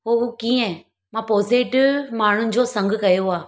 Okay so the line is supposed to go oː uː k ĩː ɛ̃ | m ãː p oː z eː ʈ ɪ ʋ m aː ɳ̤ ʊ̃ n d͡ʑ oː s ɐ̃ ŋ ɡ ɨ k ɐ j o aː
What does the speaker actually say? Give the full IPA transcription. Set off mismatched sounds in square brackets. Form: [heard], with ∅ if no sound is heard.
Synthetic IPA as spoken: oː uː k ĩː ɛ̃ | m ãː p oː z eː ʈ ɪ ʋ m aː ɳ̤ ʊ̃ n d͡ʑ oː s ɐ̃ ŋ ɡ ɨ k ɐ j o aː